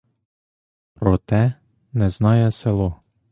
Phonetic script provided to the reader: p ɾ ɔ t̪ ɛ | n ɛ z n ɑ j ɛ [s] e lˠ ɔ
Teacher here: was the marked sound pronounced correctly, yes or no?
yes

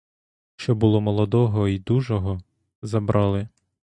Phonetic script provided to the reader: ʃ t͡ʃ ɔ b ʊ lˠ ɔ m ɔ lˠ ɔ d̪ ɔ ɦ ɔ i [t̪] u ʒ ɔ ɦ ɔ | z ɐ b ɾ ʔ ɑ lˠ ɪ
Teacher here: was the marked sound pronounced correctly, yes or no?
no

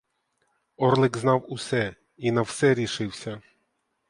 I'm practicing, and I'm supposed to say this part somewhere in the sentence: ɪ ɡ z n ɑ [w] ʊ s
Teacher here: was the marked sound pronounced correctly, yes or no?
yes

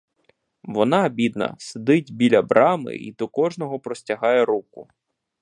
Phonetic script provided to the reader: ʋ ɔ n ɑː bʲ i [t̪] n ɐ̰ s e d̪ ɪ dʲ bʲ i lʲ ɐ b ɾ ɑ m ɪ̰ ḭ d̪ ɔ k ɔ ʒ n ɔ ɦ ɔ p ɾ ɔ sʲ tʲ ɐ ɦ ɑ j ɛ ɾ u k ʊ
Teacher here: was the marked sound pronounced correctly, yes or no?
no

